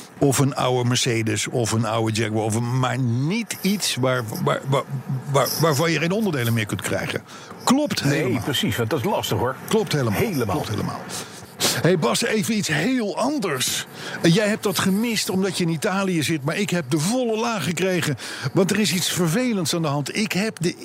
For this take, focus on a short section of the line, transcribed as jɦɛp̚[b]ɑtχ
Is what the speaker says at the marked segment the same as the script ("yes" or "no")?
no